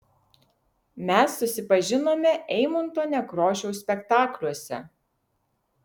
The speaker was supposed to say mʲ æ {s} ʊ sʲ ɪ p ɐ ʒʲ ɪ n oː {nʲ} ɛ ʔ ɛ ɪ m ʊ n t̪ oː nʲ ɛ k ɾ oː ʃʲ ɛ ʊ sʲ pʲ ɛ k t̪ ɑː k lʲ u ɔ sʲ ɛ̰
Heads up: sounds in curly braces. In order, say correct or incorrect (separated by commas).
incorrect, incorrect